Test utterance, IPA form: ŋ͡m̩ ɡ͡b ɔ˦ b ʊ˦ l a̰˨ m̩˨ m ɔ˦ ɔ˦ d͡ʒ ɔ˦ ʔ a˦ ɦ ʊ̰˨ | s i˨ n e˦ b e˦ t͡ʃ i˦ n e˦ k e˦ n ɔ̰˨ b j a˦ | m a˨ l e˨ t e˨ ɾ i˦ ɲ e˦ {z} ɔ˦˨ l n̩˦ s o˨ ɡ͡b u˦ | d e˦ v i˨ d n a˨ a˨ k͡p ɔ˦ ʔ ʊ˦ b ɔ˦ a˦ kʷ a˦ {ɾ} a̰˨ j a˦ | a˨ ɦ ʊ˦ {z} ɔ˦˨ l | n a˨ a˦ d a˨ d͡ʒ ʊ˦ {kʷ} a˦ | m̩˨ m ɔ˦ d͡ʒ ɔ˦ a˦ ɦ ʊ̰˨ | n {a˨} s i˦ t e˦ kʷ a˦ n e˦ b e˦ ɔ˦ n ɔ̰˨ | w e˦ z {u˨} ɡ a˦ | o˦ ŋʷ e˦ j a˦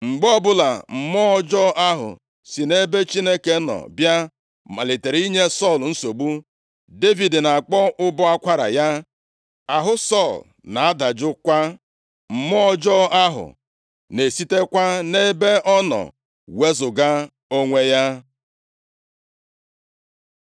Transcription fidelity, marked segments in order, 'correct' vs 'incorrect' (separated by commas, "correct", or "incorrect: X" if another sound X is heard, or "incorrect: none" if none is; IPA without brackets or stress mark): incorrect: s, correct, incorrect: s, correct, incorrect: e˨, incorrect: ʊ˨